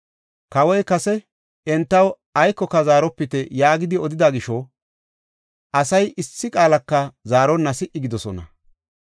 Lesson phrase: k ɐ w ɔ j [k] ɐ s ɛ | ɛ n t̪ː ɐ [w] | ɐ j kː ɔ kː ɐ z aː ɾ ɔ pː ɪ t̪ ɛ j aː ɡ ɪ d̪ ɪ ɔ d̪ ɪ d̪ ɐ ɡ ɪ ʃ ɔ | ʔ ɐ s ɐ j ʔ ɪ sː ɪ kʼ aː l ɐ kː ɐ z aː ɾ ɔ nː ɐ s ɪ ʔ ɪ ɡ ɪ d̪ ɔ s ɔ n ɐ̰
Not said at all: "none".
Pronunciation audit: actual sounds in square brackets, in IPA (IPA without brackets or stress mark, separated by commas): k, w